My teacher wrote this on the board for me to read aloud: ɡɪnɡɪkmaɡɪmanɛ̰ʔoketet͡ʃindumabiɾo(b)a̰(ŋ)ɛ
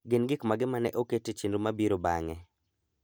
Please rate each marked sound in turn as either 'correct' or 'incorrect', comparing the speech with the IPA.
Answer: correct, correct

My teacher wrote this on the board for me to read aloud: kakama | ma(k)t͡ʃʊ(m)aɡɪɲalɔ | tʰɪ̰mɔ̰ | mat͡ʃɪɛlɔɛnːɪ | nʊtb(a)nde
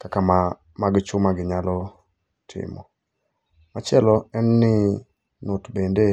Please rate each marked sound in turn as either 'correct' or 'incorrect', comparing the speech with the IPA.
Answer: incorrect: ɡ, correct, incorrect: e

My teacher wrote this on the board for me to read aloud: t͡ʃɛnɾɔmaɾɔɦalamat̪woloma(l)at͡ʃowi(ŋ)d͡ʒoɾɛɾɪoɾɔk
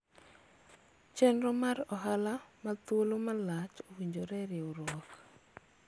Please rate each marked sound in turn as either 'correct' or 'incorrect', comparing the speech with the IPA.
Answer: correct, incorrect: ɲ

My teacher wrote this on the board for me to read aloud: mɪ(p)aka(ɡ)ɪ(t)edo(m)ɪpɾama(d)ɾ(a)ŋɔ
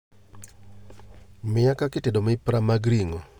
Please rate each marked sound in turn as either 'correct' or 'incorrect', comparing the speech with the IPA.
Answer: incorrect: none, incorrect: k, correct, correct, incorrect: ɡ, incorrect: i

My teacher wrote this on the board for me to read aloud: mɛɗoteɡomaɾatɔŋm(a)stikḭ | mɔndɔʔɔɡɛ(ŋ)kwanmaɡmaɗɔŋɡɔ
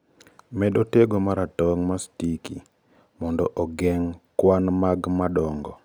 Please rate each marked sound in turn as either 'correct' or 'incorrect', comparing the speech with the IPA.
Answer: correct, correct

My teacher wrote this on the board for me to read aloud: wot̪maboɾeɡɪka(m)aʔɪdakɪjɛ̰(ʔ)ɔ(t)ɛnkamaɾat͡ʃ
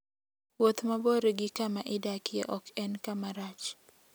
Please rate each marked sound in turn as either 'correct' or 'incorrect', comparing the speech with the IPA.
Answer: correct, correct, incorrect: k

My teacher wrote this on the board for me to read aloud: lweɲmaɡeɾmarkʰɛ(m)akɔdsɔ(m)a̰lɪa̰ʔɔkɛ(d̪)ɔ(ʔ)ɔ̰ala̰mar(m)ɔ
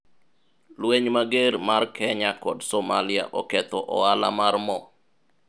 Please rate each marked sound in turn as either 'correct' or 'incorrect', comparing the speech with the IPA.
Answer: incorrect: ɲ, correct, incorrect: t̪, correct, correct

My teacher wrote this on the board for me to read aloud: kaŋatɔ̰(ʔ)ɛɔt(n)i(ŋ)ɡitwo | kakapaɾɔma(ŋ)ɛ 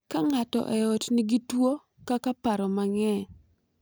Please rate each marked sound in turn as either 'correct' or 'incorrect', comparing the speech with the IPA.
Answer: correct, correct, incorrect: none, correct

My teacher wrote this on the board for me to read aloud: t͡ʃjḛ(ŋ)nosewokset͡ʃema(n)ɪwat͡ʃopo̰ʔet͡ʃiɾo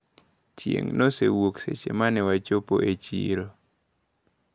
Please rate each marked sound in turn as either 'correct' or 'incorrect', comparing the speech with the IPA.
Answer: correct, correct

